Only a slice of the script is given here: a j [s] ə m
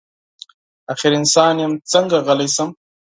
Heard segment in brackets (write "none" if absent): s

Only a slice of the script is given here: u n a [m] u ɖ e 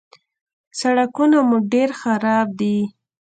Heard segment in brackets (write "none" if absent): m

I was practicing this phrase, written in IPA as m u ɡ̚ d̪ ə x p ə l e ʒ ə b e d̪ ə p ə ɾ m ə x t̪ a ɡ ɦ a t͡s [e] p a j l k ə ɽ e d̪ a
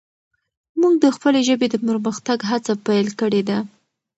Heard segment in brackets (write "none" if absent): a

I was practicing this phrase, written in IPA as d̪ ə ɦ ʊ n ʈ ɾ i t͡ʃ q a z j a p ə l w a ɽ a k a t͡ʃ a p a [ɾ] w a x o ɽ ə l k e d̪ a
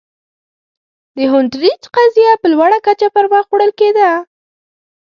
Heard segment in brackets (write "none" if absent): ɾ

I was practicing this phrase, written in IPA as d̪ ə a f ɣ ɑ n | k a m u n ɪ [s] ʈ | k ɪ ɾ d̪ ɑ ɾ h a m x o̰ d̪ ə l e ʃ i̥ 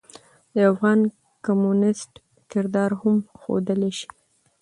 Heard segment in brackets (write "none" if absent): s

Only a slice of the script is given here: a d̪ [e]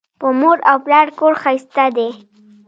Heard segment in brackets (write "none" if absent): e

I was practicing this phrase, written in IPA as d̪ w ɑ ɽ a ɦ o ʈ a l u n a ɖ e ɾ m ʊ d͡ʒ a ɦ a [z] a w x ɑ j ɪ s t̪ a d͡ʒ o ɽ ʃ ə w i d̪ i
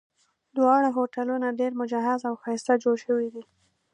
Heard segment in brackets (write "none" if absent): z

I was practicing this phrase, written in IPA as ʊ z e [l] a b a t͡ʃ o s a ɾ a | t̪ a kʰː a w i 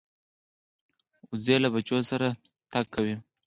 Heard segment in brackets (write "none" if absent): l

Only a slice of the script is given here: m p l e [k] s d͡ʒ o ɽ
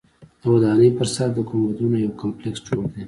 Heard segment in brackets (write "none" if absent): k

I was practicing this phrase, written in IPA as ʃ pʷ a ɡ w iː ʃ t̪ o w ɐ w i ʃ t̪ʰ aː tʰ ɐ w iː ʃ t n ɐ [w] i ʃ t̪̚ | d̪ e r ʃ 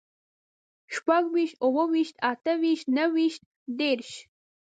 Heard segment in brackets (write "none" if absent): w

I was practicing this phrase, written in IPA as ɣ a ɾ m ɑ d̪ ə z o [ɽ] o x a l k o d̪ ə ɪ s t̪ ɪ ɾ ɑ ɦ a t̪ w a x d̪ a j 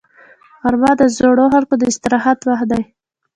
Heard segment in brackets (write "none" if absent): ɽ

